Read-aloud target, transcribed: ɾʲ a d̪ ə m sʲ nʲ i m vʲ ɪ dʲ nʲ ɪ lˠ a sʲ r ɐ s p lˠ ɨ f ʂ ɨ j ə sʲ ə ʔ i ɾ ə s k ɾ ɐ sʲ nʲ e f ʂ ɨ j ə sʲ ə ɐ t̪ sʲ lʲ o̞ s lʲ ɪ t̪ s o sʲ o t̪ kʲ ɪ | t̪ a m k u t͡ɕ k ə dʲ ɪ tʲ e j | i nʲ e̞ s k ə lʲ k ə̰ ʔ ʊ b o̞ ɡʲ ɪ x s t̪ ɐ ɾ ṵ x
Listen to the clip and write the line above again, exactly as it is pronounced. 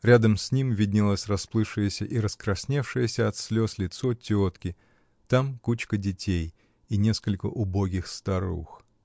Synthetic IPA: ɾʲ a d̪ ə m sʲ nʲ i m vʲ ɪ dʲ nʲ ɪ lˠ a sʲ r ɐ s p lˠ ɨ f ʂ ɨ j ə sʲ ə ʔ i ɾ ə s k ɾ ɐ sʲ nʲ e f ʂ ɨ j ə sʲ ə ɐ t̪ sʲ lʲ o̞ s lʲ ɪ t̪ s o tʲ o t̪ kʲ ɪ | t̪ a m k u t͡ɕ k ə dʲ ɪ tʲ e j | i nʲ e̞ s k ə lʲ k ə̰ ʔ ʊ b o̞ ɡʲ ɪ x s t̪ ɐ ɾ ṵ x